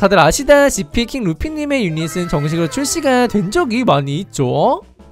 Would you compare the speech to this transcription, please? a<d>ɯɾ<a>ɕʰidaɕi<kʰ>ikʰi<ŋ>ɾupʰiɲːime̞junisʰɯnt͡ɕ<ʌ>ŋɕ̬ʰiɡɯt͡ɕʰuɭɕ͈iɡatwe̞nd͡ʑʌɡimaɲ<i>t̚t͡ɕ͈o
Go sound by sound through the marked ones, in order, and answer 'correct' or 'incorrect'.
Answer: correct, correct, incorrect, correct, correct, incorrect

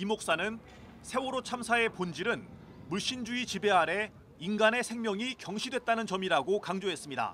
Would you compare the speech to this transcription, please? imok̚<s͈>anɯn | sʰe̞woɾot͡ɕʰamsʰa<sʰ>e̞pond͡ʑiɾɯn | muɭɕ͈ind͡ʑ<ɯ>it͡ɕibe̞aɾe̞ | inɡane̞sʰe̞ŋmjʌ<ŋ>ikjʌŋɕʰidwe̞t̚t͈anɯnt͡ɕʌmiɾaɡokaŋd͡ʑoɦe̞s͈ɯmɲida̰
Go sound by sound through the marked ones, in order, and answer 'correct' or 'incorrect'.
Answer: correct, incorrect, incorrect, correct

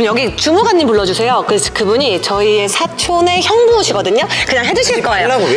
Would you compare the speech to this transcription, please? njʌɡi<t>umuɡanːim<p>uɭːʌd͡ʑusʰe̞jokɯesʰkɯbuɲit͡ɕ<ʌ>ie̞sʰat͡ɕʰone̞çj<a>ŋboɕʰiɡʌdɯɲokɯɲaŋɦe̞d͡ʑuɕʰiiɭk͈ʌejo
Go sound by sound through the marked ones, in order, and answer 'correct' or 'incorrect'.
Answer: incorrect, correct, correct, incorrect

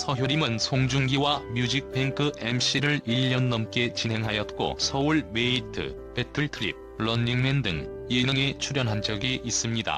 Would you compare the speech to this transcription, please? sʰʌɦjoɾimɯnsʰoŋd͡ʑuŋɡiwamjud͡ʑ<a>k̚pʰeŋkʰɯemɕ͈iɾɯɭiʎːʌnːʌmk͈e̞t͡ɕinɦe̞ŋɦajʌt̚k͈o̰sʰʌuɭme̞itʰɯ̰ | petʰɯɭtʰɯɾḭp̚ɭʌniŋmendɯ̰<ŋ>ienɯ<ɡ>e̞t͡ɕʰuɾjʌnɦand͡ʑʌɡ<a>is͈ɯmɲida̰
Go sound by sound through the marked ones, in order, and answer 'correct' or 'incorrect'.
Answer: incorrect, correct, incorrect, incorrect

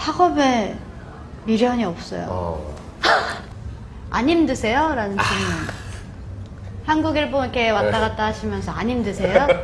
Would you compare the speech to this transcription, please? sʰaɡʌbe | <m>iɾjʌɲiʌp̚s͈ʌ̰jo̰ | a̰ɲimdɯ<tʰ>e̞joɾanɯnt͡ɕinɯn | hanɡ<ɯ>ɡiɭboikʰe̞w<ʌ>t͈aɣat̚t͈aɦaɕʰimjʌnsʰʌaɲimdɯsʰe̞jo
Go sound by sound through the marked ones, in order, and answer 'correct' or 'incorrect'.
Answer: correct, incorrect, incorrect, incorrect

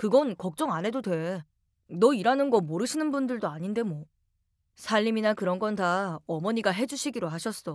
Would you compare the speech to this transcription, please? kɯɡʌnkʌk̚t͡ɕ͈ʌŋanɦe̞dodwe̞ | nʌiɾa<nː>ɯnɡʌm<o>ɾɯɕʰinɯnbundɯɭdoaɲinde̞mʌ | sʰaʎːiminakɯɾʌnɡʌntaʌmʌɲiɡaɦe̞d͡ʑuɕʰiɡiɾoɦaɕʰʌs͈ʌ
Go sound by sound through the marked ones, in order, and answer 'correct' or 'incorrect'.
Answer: incorrect, correct

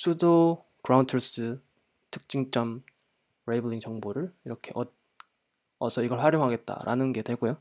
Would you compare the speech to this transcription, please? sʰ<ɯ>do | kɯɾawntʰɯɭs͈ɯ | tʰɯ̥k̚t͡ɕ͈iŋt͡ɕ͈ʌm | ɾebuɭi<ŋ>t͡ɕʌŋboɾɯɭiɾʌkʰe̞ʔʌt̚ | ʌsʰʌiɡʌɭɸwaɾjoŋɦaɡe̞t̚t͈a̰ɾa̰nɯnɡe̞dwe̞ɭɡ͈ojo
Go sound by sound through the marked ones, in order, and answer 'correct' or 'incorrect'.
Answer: incorrect, correct

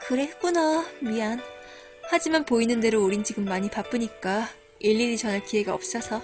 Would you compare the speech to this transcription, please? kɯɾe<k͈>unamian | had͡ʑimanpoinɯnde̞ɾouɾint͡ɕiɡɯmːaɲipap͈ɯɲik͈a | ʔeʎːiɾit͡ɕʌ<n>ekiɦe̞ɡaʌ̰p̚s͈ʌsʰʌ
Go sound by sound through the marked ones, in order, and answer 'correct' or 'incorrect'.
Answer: correct, correct

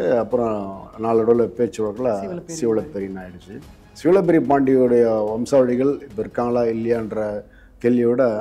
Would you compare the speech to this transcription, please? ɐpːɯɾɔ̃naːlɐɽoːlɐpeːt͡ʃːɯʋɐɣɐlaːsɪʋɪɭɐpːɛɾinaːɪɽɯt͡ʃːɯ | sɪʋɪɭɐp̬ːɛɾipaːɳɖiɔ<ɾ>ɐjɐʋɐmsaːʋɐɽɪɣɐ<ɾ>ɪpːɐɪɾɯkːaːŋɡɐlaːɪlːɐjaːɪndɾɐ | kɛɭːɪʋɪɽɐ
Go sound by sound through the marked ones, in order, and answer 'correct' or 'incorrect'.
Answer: incorrect, incorrect

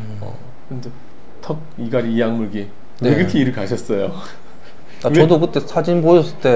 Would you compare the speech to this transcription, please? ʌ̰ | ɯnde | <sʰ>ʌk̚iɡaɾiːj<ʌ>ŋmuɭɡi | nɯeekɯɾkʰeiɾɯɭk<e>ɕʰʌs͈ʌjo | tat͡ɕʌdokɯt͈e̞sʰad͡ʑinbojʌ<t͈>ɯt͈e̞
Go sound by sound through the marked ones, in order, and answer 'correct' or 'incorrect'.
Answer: incorrect, incorrect, incorrect, incorrect

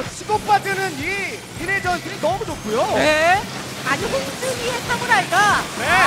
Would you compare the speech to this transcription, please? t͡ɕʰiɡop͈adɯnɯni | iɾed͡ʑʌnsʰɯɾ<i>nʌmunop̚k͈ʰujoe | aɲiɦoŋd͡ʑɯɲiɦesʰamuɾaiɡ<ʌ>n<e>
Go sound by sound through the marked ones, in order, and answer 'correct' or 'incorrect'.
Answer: correct, incorrect, correct

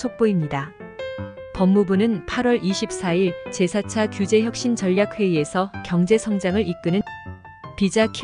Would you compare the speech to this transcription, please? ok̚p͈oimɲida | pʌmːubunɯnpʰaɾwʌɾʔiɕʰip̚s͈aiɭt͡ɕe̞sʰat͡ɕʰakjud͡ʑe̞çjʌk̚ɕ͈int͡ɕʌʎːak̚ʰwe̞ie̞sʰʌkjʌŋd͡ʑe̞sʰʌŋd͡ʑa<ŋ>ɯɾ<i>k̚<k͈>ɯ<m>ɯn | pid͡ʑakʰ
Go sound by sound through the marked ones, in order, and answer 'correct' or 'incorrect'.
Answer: correct, correct, correct, incorrect

